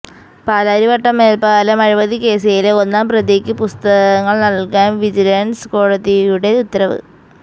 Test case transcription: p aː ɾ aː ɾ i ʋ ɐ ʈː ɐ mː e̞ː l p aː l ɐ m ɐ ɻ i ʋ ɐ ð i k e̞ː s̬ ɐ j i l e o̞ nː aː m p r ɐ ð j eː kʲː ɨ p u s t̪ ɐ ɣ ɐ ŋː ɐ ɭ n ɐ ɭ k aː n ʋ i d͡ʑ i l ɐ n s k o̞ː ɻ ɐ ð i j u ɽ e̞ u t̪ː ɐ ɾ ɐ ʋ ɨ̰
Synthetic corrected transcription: p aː l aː ɾ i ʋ ɐ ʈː ɐ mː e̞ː l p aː l ɐ m ɐ ɻ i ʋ ɐ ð i k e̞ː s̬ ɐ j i l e o̞ nː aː m p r ɐ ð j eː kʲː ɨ p u s t̪ ɐ ɣ ɐ ŋː ɐ ɭ n ɐ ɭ k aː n ʋ i d͡ʑ i l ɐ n s k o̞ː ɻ ɐ ð i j u ɽ e̞ u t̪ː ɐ ɾ ɐ ʋ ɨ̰

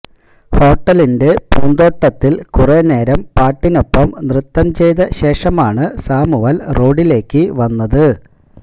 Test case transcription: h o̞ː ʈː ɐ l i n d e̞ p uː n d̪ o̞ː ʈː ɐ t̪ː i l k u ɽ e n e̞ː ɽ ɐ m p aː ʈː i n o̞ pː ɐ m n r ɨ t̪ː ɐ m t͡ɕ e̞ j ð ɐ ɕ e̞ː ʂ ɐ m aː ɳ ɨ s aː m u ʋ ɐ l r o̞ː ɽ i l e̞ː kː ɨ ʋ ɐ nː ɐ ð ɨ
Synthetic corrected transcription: h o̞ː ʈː ɐ l i n d e̞ p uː n d̪ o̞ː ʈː ɐ t̪ː i l k u r e n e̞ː ɾ ɐ m p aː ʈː i n o̞ pː ɐ m n r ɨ t̪ː ɐ m t͡ɕ e̞ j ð ɐ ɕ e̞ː ʂ ɐ m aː ɳ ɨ s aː m u ʋ ɐ l r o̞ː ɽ i l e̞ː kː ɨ ʋ ɐ nː ɐ ð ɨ

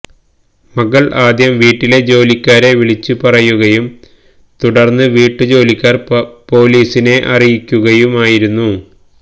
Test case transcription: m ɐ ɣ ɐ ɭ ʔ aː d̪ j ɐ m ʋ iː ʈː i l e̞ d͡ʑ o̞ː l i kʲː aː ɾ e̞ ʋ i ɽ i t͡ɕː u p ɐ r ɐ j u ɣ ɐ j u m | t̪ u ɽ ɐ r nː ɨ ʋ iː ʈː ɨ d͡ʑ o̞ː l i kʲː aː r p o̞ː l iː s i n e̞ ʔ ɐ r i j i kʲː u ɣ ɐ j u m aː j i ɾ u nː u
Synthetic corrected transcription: m ɐ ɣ ɐ ɭ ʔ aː d̪ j ɐ m ʋ iː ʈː i l e̞ d͡ʑ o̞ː l i kʲː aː ɾ e̞ ʋ i ɭ i t͡ɕː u p ɐ r ɐ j u ɣ ɐ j u m | t̪ u ɽ ɐ r nː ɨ ʋ iː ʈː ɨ d͡ʑ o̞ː l i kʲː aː r p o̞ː l iː s i n e̞ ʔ ɐ r i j i kʲː u ɣ ɐ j u m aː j i ɾ u nː u

